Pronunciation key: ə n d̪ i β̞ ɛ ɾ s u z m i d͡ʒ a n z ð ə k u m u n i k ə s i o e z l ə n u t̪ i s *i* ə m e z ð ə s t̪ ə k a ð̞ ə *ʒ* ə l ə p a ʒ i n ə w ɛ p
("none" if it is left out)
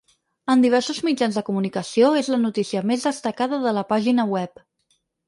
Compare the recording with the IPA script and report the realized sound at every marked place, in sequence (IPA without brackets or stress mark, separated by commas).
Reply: i, ð